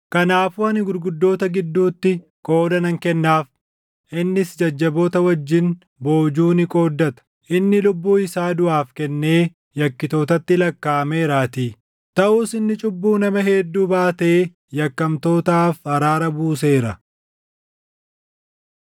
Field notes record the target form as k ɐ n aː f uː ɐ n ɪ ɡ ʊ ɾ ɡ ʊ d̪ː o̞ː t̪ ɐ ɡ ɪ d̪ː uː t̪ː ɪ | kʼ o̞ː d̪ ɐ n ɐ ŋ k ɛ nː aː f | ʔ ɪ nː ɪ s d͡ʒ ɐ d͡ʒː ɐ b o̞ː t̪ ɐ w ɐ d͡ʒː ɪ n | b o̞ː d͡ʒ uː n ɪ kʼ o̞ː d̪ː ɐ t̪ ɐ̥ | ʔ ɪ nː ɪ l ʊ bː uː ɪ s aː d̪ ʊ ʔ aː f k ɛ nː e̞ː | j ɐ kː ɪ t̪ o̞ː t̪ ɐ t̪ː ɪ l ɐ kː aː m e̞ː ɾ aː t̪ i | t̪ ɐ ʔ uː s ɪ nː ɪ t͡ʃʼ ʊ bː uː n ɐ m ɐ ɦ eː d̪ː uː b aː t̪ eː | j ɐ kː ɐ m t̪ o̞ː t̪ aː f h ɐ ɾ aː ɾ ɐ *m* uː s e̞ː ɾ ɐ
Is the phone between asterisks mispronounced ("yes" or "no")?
yes